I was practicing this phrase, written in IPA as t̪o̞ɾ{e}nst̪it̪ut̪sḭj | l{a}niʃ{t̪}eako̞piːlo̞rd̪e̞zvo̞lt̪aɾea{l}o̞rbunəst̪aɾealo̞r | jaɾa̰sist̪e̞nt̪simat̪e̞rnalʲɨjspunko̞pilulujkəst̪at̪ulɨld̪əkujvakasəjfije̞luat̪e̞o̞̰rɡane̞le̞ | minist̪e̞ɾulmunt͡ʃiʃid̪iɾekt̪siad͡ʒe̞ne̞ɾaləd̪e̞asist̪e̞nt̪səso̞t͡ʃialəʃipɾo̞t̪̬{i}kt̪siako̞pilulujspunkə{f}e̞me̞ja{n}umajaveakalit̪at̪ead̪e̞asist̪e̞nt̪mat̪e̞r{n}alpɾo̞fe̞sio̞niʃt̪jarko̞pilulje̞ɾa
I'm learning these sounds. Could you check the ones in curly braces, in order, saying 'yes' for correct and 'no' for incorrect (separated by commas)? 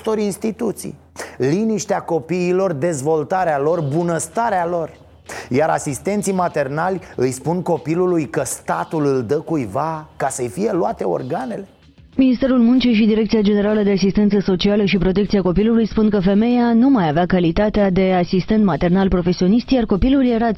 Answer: no, no, yes, yes, no, yes, yes, yes